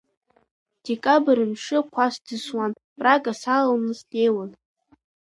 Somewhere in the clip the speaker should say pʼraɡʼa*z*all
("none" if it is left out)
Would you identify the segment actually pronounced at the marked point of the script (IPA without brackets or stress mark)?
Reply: s